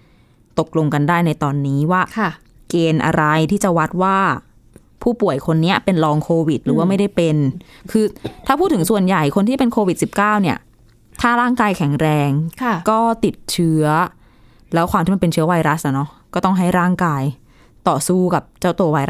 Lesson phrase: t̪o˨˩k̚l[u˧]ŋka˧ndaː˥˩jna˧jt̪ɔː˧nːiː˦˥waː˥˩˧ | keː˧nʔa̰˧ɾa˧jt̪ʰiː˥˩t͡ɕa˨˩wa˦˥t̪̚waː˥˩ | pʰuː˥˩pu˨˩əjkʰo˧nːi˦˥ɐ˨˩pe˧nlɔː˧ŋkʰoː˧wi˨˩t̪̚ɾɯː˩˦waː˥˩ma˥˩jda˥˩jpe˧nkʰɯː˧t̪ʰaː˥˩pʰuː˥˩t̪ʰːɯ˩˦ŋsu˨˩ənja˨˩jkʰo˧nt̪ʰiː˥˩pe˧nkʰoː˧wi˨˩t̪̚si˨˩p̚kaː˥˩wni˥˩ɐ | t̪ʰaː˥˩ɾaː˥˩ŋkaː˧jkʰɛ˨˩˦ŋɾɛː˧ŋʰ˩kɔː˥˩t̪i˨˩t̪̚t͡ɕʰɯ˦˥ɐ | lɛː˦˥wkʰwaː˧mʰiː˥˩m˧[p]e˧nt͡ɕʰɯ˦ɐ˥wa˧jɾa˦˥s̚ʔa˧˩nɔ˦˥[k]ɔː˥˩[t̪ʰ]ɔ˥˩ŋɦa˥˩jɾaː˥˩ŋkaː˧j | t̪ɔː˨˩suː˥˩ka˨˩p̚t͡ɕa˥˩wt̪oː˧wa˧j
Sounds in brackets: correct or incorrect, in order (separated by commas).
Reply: incorrect, correct, correct, incorrect